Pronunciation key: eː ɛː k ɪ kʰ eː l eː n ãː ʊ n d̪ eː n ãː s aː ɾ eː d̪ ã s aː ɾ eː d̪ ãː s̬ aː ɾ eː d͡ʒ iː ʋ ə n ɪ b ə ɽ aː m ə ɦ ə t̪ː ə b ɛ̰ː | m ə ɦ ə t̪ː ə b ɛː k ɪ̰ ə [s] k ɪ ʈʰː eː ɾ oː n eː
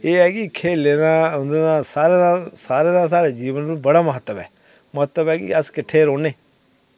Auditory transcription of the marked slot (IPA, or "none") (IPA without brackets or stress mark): s